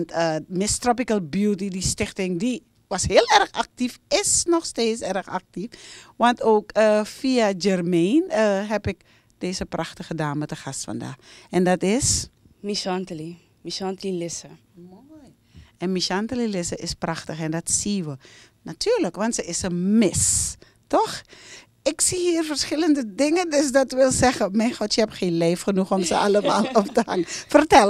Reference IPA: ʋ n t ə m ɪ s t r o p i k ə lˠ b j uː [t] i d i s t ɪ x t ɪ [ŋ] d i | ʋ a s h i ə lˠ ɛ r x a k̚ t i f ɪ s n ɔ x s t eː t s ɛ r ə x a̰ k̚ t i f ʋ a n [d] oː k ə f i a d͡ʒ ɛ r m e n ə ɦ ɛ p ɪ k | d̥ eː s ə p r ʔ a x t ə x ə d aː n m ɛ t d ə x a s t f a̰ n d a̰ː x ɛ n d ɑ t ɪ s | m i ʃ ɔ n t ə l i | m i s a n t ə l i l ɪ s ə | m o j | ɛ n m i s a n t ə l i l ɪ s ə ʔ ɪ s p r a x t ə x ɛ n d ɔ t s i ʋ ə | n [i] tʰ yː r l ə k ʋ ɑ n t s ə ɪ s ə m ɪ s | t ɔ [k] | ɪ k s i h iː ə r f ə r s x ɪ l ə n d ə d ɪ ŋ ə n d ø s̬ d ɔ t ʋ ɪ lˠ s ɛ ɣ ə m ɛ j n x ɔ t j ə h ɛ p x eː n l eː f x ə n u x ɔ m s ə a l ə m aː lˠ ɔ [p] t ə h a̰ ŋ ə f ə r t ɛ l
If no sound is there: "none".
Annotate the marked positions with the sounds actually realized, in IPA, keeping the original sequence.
t, ŋ, t, a, x, p

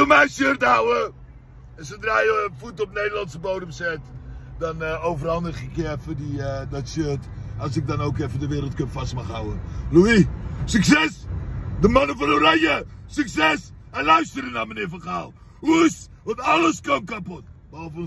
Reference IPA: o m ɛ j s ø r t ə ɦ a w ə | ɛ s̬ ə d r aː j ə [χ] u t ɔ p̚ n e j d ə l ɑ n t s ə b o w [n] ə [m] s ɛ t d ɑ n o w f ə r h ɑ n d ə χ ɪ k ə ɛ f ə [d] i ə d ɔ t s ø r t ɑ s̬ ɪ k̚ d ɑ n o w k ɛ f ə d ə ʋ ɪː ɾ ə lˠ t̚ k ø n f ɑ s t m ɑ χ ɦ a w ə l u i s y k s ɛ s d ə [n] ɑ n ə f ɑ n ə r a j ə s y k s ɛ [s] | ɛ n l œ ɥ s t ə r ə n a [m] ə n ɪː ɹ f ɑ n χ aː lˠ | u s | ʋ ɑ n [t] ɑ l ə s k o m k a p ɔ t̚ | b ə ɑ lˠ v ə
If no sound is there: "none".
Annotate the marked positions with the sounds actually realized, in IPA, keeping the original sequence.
f, d, m, d, m, s, m, t

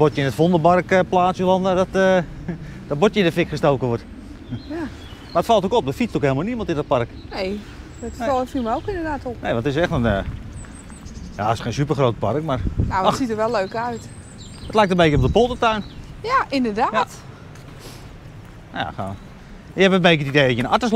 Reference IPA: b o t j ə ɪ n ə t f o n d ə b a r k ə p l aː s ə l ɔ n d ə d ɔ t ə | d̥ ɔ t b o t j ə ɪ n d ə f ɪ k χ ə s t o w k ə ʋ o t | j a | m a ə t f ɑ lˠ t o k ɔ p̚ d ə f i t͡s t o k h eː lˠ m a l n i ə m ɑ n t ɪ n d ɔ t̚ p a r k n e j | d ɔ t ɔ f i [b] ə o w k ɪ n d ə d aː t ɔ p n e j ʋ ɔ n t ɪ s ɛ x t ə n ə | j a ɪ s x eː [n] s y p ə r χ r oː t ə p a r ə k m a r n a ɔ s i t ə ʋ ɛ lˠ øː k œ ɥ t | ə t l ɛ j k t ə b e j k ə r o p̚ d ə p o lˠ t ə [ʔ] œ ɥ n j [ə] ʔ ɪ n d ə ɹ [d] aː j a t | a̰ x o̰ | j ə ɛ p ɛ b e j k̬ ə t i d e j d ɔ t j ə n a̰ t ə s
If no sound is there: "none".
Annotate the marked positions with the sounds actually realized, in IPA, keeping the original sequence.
m, n, t, a, d

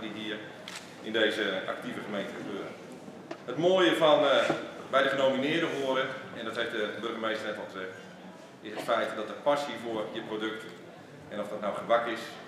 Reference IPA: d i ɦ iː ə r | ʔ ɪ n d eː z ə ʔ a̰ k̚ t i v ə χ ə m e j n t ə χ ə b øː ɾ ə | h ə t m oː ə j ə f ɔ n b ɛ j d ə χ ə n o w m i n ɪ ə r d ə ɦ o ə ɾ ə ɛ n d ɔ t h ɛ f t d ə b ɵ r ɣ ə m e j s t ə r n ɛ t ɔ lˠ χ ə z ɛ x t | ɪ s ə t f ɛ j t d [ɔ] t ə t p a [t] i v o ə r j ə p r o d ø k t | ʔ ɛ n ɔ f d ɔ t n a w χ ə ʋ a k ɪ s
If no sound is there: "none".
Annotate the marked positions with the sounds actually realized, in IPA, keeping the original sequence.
ɔ, s

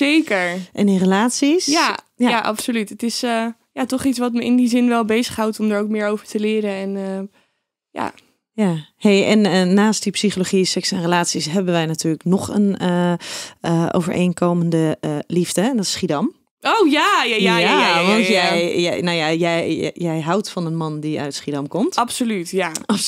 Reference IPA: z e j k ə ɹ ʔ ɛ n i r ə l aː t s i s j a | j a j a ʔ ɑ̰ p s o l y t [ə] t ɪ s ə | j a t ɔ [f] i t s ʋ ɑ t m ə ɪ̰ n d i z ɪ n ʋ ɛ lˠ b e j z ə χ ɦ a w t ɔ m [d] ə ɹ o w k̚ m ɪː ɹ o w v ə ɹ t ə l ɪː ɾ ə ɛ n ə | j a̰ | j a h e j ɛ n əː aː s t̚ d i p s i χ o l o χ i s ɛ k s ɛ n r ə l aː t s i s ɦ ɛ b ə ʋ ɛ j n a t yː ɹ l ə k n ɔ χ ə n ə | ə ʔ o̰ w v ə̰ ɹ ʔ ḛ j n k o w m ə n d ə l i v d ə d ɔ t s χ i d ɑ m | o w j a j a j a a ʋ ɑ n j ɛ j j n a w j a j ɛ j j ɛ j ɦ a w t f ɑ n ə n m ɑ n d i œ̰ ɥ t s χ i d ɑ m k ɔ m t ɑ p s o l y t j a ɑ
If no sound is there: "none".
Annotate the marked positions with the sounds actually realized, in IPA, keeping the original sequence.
ə, χ, d

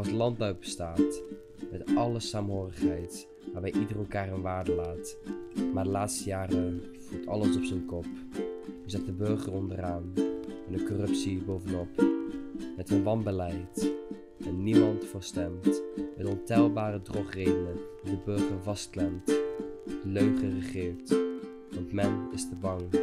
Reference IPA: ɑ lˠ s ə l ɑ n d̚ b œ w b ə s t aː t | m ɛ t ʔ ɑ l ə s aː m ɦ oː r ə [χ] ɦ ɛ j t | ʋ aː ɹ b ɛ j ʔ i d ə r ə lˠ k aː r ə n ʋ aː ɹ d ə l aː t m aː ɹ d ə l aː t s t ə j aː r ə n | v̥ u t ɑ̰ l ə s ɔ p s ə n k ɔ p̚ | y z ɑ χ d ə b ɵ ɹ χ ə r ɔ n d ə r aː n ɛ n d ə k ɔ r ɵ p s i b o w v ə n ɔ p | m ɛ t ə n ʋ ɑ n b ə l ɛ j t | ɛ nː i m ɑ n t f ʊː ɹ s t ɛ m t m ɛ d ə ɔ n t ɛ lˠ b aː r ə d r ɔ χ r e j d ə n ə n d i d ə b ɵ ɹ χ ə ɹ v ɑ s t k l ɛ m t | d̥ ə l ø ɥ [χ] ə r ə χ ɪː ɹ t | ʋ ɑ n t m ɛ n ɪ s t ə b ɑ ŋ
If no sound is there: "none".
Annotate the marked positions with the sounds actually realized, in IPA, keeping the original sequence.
χ, χ

